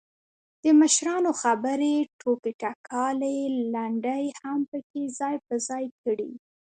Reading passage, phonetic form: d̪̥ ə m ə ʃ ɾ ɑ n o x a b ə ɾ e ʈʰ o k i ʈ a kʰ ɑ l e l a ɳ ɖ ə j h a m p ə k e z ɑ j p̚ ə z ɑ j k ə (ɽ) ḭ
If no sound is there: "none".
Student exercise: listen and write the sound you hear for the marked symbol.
ɽ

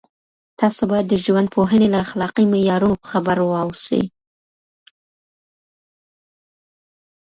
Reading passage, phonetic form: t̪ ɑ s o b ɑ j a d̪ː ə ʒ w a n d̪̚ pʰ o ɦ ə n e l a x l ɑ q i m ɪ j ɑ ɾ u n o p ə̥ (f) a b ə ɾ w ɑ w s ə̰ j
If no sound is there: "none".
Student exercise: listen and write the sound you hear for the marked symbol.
x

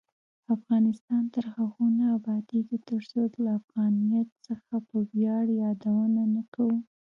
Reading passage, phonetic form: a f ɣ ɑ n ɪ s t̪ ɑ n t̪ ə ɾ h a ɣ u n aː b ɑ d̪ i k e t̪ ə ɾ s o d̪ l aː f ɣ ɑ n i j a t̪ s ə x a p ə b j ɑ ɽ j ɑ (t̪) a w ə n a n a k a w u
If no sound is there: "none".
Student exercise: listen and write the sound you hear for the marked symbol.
d̪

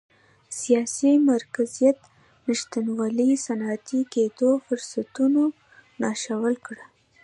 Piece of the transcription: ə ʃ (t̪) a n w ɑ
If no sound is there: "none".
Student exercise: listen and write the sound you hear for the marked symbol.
t̪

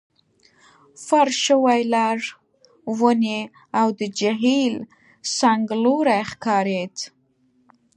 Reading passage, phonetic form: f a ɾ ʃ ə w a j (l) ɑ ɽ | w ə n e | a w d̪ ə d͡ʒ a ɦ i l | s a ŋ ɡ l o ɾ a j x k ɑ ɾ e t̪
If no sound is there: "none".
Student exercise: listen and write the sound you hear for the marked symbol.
l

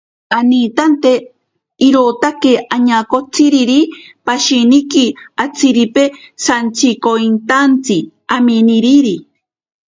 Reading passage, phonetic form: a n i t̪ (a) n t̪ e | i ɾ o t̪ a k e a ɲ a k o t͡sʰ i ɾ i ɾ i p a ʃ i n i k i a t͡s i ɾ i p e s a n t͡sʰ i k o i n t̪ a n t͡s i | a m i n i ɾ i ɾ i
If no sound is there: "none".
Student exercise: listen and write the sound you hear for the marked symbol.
a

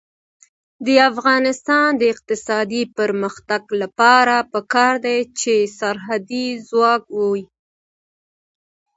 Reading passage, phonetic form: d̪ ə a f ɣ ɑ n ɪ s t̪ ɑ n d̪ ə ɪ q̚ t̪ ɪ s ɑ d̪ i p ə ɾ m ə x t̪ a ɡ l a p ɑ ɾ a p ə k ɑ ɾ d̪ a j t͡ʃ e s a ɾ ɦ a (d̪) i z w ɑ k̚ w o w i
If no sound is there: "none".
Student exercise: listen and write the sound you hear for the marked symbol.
d̪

